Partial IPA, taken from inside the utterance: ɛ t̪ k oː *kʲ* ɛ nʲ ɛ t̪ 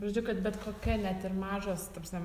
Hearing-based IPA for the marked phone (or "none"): kʲ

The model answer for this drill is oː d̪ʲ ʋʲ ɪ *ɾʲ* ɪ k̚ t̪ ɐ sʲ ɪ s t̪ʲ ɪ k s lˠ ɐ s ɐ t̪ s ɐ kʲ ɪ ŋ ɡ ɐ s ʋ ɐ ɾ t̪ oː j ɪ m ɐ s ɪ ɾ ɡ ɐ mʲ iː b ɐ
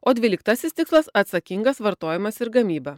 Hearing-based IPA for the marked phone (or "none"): lʲ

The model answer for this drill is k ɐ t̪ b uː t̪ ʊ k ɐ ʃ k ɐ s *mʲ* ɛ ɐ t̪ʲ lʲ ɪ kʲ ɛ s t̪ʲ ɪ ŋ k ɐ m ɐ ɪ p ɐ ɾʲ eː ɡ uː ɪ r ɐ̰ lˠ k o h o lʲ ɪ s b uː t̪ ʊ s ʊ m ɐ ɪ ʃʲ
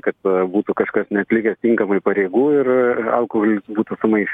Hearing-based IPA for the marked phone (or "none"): nʲ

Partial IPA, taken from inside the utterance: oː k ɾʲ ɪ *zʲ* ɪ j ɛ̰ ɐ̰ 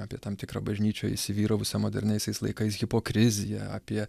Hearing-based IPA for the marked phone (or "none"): zʲ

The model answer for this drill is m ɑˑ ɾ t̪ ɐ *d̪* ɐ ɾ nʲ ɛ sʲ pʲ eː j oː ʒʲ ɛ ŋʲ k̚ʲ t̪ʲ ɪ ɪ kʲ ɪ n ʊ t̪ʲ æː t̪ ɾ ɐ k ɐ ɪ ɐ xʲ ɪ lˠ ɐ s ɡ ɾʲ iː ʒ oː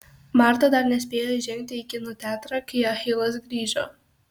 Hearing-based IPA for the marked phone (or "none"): d̪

